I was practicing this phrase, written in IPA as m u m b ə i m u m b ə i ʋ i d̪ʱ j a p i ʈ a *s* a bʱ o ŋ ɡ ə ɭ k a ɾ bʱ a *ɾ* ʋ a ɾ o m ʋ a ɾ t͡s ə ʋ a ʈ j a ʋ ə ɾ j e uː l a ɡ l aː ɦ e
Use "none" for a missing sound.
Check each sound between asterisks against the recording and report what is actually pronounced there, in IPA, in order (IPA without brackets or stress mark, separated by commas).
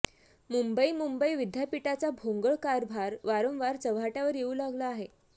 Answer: t͡s, ɾ